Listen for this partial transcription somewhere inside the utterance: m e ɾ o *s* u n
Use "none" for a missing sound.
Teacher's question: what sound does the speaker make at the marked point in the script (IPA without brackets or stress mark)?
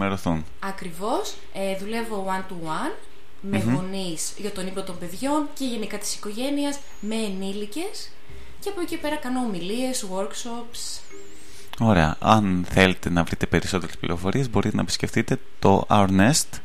θ